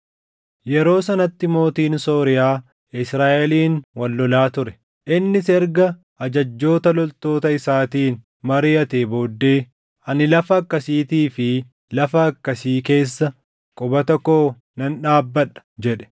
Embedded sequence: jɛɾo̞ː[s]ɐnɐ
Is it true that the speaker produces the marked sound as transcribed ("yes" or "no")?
yes